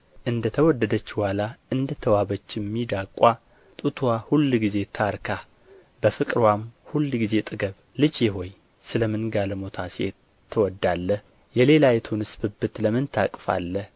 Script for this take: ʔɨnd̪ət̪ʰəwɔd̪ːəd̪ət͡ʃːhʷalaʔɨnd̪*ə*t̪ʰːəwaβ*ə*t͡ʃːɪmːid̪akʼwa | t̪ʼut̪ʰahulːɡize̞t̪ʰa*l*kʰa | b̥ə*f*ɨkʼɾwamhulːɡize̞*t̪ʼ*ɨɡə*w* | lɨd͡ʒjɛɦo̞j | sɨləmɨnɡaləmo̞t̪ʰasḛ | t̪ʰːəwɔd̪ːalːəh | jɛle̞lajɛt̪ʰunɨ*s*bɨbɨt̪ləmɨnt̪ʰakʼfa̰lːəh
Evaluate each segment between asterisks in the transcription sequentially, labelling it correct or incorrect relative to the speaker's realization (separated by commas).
correct, correct, incorrect, correct, correct, incorrect, correct